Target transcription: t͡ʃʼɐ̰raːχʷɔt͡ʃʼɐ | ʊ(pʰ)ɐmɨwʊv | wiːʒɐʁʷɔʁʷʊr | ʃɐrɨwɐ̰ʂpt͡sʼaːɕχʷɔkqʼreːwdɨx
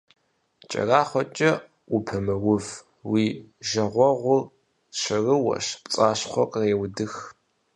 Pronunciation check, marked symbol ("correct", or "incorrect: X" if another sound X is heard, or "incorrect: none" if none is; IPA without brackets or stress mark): correct